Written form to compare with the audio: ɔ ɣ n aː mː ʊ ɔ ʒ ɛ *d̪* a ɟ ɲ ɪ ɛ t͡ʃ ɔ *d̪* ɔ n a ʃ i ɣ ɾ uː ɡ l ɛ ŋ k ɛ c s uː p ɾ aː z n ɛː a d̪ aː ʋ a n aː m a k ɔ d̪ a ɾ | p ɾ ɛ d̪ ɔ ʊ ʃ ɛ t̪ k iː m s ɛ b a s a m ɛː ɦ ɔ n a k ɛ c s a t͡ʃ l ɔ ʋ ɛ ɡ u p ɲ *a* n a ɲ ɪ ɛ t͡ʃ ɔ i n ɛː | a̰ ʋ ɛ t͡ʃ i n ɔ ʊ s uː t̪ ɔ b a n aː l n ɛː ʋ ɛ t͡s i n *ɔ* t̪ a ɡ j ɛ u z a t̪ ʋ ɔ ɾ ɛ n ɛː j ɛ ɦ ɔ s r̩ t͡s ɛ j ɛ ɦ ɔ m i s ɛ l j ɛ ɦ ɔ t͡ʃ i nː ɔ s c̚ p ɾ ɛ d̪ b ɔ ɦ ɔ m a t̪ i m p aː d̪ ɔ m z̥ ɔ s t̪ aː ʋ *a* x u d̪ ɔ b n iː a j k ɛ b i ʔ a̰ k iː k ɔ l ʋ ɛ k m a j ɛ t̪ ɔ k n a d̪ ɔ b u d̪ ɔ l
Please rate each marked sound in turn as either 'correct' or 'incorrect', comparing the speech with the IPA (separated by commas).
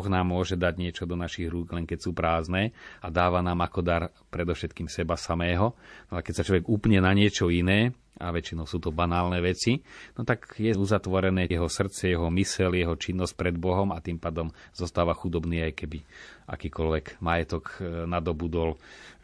correct, correct, incorrect, correct, correct